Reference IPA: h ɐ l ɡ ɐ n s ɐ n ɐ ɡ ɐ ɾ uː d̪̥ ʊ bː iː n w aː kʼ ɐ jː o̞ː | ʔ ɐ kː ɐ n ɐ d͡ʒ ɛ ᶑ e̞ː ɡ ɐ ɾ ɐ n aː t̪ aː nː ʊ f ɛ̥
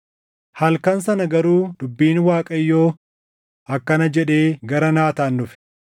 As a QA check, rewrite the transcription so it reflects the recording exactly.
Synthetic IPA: h ɐ l k ɐ n s ɐ n ɐ ɡ ɐ ɾ uː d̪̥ ʊ bː iː n w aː kʼ ɐ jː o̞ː | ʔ ɐ kː ɐ n ɐ d͡ʒ ɛ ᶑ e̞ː ɡ ɐ ɾ ɐ n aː t̪ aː nː ʊ f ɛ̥